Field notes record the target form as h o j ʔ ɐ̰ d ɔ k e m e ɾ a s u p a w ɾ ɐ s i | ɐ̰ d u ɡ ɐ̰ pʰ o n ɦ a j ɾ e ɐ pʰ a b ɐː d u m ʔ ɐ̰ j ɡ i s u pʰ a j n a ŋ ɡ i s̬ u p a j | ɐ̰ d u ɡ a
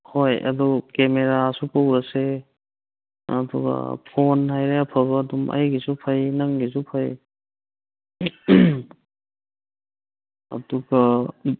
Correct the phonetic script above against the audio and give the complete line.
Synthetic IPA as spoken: h o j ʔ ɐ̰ d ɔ k e m e ɾ a s u p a w ɾ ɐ s e | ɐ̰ d u ɡ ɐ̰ pʰ o n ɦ a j ɾ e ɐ pʰ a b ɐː d u m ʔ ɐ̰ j ɡ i s u pʰ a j n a ŋ ɡ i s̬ u pʰ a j | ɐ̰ d u ɡ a